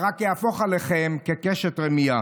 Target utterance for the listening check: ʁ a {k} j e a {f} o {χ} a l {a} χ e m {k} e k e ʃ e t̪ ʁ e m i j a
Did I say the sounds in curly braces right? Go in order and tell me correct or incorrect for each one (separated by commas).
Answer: correct, correct, correct, incorrect, correct